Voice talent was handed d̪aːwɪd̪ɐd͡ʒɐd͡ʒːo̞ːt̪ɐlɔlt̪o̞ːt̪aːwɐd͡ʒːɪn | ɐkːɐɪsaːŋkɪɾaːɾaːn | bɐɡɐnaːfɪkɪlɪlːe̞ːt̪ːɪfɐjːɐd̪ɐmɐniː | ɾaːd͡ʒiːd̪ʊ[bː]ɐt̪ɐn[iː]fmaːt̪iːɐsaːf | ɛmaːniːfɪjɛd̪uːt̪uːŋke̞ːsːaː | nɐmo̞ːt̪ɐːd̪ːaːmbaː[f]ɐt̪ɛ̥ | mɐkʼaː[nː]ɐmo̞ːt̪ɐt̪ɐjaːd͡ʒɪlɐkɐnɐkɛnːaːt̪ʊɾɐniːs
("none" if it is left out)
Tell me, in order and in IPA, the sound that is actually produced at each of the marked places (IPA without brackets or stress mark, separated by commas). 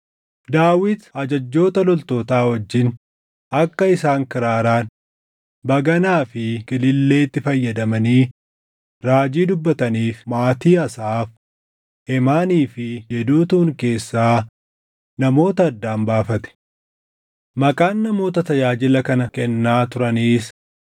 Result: bː, iː, f, nː